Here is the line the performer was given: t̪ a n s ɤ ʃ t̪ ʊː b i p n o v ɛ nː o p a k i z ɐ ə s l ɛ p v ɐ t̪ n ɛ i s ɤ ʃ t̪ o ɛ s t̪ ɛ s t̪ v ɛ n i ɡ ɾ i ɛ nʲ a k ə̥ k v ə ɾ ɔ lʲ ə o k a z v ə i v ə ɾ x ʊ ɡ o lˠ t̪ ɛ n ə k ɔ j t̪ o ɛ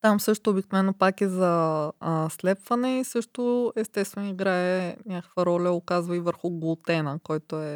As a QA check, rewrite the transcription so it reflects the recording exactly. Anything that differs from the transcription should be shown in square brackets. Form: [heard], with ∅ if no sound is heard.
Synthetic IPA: t̪ a [m] s ɤ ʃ t̪ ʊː b i [k] n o v ɛ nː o p a k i z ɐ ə s l ɛ p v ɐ [∅] n ɛ i s ɤ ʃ t̪ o ɛ s t̪ ɛ s t̪ v ɛ n i ɡ ɾ [a] ɛ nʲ a k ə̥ k v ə ɾ ɔ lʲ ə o k a z v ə i v ə ɾ x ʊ ɡ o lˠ t̪ ɛ n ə k ɔ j t̪ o ɛ